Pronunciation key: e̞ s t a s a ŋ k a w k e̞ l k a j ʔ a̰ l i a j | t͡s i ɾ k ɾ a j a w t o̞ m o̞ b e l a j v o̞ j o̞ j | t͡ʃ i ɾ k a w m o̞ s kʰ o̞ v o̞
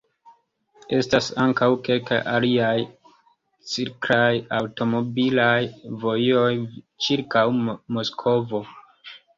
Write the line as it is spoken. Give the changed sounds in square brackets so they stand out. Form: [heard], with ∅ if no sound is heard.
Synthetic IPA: e̞ s t a s a ŋ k a w k e̞ l k a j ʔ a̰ l i a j | t͡s i ɾ k ɾ a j a w t o̞ m o̞ b [i] l a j v o̞ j o̞ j | t͡ʃ i ɾ k a w m o̞ s kʰ o̞ v o̞